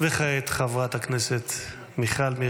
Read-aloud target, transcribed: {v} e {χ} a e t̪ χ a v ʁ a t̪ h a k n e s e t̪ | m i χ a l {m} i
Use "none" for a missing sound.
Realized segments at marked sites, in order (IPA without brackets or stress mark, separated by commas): v, χ, m